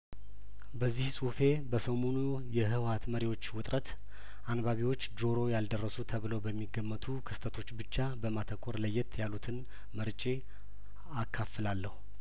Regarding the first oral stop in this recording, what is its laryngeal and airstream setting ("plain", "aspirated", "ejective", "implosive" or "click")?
plain